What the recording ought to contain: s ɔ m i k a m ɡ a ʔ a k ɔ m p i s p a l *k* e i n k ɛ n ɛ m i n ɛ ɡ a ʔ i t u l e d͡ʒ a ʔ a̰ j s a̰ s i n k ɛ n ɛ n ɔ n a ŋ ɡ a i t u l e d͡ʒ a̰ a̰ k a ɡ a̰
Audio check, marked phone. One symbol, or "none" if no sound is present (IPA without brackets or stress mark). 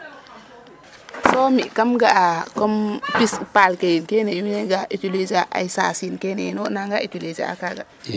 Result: k